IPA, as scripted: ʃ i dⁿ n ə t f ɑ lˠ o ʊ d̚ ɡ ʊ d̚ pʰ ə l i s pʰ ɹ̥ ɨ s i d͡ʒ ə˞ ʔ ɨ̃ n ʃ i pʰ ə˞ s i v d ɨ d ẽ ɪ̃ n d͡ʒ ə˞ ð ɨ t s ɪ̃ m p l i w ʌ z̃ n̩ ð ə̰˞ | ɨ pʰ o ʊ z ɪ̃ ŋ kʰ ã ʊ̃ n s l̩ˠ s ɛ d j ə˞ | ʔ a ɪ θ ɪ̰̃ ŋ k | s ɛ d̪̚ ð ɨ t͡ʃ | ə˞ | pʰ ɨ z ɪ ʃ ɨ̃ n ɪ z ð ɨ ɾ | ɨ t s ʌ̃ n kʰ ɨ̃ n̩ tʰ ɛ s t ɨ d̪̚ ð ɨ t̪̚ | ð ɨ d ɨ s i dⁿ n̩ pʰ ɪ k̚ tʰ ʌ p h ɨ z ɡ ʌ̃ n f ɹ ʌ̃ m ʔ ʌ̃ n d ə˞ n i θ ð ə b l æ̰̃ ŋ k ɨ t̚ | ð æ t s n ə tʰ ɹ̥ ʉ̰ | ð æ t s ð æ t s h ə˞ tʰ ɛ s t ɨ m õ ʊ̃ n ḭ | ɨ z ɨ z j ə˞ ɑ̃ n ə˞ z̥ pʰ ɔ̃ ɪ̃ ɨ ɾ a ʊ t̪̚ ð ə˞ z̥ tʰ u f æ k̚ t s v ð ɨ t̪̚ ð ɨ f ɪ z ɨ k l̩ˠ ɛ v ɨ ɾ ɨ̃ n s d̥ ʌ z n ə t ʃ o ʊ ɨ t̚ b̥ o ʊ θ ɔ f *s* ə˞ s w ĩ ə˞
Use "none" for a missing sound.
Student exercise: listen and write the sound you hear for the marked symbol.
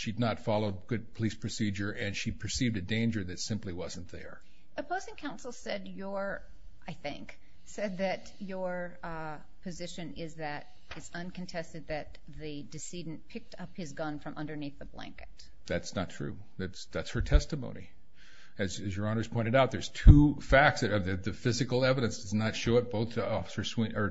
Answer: s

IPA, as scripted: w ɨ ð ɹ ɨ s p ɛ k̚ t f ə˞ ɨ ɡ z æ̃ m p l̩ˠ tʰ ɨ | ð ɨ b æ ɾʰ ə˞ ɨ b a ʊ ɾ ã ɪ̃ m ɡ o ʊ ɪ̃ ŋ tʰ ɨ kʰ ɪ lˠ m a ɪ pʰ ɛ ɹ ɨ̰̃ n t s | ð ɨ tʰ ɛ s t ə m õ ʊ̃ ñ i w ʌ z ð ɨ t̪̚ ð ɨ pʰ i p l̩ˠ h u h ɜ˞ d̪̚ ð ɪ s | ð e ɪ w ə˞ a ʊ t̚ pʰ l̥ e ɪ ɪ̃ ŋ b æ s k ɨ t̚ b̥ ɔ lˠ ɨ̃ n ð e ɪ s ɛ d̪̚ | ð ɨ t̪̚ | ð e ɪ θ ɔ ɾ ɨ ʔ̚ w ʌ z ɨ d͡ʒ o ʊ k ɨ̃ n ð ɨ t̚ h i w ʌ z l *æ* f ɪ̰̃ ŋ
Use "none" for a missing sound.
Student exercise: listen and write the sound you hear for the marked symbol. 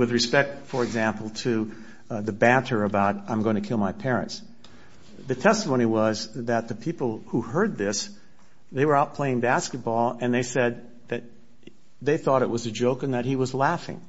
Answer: æ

